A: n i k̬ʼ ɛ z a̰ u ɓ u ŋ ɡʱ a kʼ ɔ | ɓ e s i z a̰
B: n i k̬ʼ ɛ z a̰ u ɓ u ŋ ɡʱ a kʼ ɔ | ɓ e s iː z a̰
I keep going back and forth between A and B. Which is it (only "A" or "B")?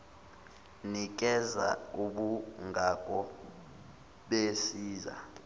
B